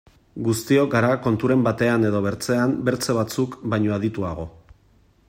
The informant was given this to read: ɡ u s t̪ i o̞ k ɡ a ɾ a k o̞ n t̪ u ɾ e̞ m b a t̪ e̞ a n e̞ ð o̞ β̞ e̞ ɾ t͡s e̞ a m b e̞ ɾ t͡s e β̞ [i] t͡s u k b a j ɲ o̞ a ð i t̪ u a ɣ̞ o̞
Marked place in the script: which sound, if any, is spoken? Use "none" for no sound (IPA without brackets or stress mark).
a